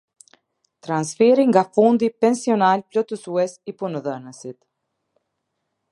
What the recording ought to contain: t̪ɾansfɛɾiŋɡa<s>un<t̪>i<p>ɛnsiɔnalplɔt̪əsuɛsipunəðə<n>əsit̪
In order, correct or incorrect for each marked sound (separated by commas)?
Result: incorrect, incorrect, correct, correct